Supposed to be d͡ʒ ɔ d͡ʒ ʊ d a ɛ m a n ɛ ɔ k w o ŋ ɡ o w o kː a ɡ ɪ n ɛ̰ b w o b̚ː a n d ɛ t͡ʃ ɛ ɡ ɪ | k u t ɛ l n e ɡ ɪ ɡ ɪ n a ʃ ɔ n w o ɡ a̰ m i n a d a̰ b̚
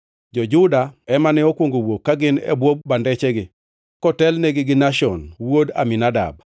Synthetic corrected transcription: d͡ʒ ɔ d͡ʒ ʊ d a ɛ m a n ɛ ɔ k w o ŋ ɡ o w o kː a ɡ ɪ n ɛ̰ b w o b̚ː a n d ɛ t͡ʃ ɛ ɡ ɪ | k ɔ t ɛ l n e ɡ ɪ ɡ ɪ n a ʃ ɔ n w o d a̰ m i n a d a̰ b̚

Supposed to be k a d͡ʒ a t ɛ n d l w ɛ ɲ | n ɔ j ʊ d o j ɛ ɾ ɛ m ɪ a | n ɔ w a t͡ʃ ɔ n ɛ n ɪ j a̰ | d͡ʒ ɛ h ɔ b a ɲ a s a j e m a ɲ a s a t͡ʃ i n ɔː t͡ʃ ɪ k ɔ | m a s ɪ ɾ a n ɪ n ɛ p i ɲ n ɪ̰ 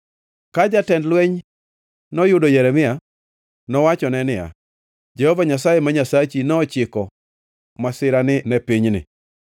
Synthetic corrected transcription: k a d͡ʒ a t ɛ n d l w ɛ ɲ | n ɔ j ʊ d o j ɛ ɾ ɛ m ɪ a | n ɔ w a t͡ʃ ɔ n ɛ n ɪ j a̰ | d͡ʒ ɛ h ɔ v a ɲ a s a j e m a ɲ a s a t͡ʃ i n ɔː t͡ʃ ɪ k ɔ | m a s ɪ ɾ a n ɪ n ɛ p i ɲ n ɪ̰

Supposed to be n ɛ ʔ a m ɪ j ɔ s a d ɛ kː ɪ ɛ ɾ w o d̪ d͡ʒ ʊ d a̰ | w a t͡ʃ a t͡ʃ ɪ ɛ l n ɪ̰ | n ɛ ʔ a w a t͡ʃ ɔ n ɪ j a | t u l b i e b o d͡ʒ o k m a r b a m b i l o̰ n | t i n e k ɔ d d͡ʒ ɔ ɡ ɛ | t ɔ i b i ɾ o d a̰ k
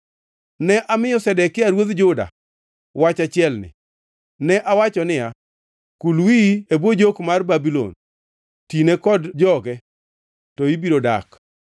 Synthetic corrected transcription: n ɛ ʔ a m ɪ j ɔ s ɛ d ɛ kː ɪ a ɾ w o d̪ d͡ʒ ʊ d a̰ | w a t͡ʃ a t͡ʃ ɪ ɛ l n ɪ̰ | n ɛ ʔ a w a t͡ʃ ɔ n ɪ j a | k u l w i e b o d͡ʒ o k m a r b a b i l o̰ n | t i n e k ɔ d d͡ʒ ɔ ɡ ɛ | t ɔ i b i ɾ o d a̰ k

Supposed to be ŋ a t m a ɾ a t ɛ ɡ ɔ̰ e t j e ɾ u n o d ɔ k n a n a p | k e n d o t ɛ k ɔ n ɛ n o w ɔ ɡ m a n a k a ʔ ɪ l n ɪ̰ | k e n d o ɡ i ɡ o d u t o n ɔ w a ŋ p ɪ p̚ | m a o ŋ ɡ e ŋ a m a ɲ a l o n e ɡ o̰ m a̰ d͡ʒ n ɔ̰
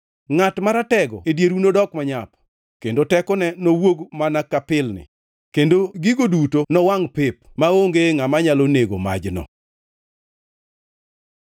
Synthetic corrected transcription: ŋ a t m a ɾ a t ɛ ɡ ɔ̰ e d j e ɾ u n o d ɔ k m a ɲ a p | k e n d o t ɛ k ɔ n ɛ n o w o ɡ m a n a k a p ɪ l n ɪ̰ | k e n d o ɡ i ɡ o d u t o n ɔ w a ŋ p ɪ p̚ | m a o ŋ ɡ e ŋ a m a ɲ a l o n e ɡ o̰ m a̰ d͡ʒ n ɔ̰

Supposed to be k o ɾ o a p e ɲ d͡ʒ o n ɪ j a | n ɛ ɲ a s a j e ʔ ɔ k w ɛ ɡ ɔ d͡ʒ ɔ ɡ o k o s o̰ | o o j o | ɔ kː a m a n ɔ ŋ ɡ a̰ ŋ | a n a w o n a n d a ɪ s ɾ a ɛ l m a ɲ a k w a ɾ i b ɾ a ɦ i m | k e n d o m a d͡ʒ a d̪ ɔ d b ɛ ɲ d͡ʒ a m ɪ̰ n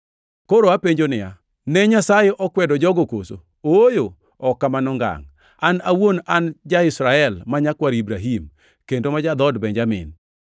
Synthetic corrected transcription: k o ɾ o a p e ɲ d͡ʒ o n ɪ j a | n ɛ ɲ a s a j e ʔ ɔ k w ɛ d ɔ d͡ʒ ɔ ɡ o k o s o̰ | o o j o | ɔ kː a m a n ɔ ŋ ɡ a̰ ŋ | a n a w o n a n d͡ʒ a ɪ s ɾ a ɛ l m a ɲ a k w a ɾ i b ɾ a ɦ i m | k e n d o m a d͡ʒ a d̪ ɔ d b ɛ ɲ d͡ʒ a m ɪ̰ n

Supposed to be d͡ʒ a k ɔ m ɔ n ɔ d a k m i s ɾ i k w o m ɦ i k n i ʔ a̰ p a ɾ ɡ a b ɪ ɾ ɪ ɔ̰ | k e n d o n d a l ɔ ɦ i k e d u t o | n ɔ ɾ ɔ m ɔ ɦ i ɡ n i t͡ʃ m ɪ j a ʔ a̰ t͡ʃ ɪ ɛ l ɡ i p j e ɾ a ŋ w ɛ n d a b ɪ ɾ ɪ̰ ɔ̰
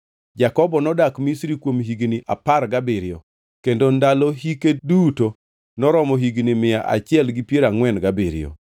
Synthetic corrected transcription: d͡ʒ a k ɔ b ɔ n ɔ d a k m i s ɾ i k w o m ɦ i ɡ n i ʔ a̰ p a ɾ ɡ a b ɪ ɾ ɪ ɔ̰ | k e n d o n d a l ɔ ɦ i k e d u t o | n ɔ ɾ ɔ m ɔ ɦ i ɡ n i m ɪ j a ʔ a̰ t͡ʃ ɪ ɛ l ɡ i p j e ɾ a ŋ w ɛ n ɡ a b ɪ ɾ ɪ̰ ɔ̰

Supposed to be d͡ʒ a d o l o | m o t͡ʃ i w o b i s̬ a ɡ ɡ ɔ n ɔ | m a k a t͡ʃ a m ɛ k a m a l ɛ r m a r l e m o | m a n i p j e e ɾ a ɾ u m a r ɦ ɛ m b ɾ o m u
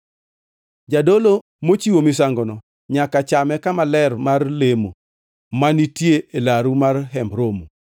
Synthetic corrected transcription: d͡ʒ a d o l o | m o t͡ʃ i w o m i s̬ a ŋ ɡ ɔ n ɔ | ɲ a k a t͡ʃ a m ɛ k a m a l ɛ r m a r l e m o | m a n i t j e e l a ɾ u m a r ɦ ɛ m b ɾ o m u

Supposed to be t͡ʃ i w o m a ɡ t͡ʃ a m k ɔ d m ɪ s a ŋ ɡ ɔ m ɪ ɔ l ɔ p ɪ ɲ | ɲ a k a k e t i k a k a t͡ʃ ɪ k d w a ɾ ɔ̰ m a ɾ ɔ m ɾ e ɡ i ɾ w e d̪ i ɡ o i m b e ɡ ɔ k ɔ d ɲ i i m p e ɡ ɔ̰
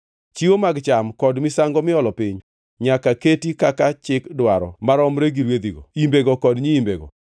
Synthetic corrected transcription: t͡ʃ i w o m a ɡ t͡ʃ a m k ɔ d m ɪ s a ŋ ɡ ɔ m ɪ ɔ l ɔ p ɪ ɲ | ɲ a k a k e t i k a k a t͡ʃ ɪ k d w a ɾ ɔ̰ m a ɾ ɔ m ɾ e ɡ i ɾ w e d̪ i ɡ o i m b e ɡ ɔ k ɔ d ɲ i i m b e ɡ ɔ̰

